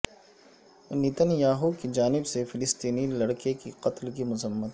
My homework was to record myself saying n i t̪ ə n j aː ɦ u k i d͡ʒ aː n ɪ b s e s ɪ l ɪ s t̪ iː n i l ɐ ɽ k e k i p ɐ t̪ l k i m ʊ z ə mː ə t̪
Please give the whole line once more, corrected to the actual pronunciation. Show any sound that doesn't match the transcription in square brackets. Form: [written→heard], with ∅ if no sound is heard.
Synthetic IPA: n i t̪ ə n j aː ɦ u k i d͡ʒ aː n ɪ b s e [s→f] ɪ l ɪ s t̪ iː n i l ɐ ɽ k e k i [p→q] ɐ t̪ l k i m ʊ z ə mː ə t̪